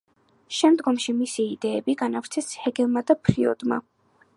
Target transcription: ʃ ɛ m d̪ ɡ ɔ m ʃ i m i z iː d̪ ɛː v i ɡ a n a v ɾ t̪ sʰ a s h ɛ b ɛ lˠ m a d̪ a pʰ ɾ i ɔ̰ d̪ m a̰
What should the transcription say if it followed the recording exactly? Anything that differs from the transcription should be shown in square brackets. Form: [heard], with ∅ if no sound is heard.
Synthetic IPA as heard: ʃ ɛ m d̪ ɡ ɔ m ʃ i m i [s] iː d̪ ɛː [b] i ɡ a n a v ɾ t̪ sʰ [ɛ] s h ɛ [ɡ] ɛ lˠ m a d̪ a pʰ ɾ i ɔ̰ d̪ m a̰